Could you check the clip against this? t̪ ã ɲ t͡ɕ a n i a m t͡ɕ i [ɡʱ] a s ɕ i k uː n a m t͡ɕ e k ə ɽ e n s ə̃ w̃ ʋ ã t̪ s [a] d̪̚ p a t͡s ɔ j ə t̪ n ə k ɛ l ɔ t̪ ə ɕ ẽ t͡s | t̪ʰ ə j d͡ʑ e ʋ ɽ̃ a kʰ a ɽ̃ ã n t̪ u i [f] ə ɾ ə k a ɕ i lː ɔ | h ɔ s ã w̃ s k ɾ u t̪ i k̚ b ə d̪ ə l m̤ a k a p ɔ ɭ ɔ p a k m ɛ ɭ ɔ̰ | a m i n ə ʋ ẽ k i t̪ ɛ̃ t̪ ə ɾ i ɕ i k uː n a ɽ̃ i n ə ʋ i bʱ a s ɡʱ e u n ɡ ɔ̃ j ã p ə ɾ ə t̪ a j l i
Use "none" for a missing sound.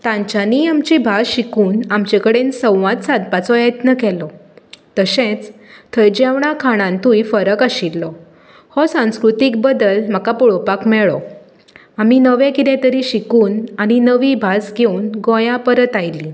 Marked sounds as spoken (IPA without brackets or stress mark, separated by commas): bʱ, a, f